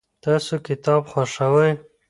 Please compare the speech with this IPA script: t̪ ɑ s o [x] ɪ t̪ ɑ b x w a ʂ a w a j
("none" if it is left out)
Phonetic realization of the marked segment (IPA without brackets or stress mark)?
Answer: k